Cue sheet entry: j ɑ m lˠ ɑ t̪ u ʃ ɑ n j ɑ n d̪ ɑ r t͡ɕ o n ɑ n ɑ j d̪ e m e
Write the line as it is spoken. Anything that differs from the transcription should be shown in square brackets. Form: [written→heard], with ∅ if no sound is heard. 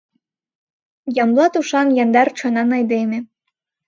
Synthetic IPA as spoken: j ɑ m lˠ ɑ t̪ u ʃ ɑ n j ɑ n d̪ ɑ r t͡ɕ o n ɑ n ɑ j d̪ e m e